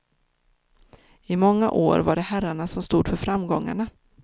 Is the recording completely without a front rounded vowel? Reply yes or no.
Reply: no